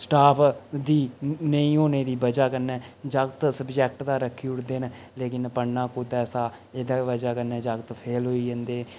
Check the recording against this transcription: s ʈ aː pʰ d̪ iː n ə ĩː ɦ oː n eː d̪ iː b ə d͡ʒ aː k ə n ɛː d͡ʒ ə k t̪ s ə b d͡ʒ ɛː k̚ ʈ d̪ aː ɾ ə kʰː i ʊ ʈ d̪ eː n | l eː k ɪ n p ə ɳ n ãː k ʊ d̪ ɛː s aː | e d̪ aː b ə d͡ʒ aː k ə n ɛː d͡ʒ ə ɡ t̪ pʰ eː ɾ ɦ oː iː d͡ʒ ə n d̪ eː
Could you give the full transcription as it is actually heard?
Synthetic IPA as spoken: s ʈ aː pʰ d̪ iː n ə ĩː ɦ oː n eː d̪ iː b ə d͡ʒ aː k ə n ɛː d͡ʒ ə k t̪ s ə b d͡ʒ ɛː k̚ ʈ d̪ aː ɾ ə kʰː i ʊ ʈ d̪ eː n | l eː k ɪ n p ə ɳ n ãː k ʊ d̪ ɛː s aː | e d̪ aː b ə d͡ʒ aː k ə n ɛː d͡ʒ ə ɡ t̪ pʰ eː l ɦ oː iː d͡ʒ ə n d̪ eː